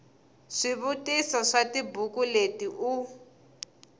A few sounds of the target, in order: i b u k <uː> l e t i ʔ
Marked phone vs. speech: incorrect: u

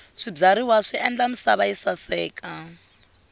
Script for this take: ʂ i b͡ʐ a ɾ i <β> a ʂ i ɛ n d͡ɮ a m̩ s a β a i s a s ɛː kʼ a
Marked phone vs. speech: incorrect: w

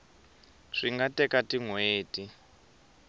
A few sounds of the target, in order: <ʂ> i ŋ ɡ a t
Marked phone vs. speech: correct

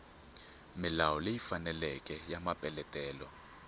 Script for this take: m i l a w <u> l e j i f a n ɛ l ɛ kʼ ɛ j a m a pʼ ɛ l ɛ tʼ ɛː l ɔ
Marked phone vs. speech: incorrect: ɔ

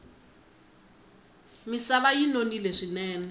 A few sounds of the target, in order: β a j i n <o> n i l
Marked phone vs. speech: correct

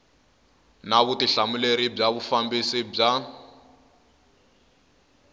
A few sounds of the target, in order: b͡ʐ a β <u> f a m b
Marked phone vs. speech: correct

